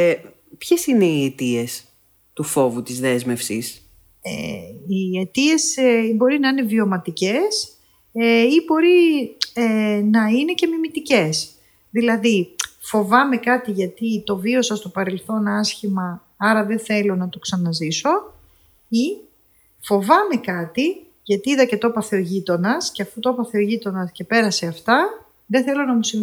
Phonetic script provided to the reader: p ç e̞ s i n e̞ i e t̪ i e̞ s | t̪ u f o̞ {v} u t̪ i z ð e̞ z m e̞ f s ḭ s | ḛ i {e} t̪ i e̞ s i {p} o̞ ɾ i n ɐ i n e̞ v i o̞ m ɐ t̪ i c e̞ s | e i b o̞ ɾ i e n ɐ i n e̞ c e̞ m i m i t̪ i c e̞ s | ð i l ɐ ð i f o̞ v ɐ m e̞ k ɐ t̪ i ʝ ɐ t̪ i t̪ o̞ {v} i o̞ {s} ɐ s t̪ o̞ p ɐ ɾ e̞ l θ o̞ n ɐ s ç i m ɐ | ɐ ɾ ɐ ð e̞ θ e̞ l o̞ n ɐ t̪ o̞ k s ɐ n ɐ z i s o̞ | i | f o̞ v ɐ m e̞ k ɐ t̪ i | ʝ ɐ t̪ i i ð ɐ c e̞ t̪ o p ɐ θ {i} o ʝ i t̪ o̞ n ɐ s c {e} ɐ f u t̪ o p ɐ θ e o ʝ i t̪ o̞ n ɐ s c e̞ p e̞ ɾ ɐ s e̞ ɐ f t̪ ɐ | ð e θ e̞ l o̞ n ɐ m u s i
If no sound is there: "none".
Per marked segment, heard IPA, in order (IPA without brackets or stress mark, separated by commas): v, e, b, v, s, e, e